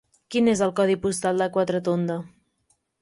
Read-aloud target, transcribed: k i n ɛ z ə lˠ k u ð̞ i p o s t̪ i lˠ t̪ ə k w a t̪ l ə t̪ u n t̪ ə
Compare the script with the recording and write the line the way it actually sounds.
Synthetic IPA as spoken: k i n e z ə lˠ k ɔ ð̞ i p u s t̪ a lˠ d̪ ə k w a t̪ ɾ ə t̪ o n d̪ ə